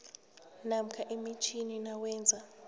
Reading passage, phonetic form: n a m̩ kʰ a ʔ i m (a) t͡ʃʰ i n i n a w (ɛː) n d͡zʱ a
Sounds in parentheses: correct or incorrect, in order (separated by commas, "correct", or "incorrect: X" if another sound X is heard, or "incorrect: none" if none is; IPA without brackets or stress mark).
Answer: incorrect: i, correct